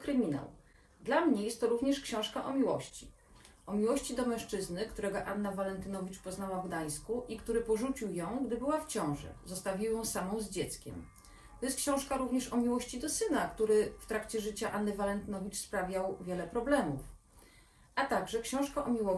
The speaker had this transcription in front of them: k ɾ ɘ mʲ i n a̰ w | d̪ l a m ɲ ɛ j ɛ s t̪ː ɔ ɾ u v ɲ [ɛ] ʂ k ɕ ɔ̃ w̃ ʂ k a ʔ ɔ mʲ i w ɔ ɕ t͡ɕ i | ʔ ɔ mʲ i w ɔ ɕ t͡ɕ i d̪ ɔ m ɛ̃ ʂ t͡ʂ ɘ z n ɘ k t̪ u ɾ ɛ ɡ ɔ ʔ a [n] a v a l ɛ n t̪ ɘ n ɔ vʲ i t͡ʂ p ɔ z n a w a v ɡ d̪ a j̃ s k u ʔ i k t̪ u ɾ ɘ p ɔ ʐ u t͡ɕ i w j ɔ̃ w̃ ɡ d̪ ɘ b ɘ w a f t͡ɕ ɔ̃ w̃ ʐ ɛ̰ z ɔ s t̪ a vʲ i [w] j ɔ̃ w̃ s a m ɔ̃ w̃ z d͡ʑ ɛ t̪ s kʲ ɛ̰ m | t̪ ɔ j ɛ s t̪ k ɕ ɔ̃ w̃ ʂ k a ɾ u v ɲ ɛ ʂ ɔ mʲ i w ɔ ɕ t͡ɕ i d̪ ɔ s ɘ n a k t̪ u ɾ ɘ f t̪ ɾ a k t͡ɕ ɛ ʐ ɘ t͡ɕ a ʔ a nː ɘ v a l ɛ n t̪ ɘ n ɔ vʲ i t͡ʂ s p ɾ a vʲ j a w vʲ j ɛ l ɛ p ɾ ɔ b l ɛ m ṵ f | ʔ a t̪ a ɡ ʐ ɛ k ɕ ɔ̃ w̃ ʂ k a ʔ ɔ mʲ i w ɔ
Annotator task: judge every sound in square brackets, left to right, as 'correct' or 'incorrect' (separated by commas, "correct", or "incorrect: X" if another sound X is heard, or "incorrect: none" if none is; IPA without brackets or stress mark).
correct, incorrect: nː, correct